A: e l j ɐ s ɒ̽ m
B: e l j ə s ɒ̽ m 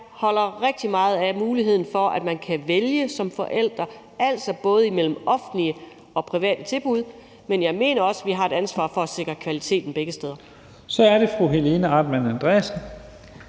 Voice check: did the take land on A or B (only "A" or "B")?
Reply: B